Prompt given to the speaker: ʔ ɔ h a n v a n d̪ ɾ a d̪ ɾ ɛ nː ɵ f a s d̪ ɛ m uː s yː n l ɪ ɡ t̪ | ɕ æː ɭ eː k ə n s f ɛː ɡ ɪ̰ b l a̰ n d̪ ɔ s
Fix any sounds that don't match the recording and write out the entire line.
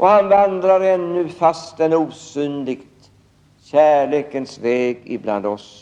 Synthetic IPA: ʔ ɔ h a n v a n d̪ ɾ a ɾ ɛ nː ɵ f a s t̪ ɛ n uː s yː n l ɪ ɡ t̪ | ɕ æː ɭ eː k ə n s v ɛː ɡ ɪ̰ b l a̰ n d̪ ɔ s